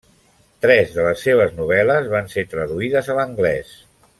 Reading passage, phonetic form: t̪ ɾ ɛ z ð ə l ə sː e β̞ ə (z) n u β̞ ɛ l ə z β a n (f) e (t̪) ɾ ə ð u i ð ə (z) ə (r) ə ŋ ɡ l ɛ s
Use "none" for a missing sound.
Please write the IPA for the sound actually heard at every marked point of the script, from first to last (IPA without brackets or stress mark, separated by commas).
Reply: z, s, t̪, z, l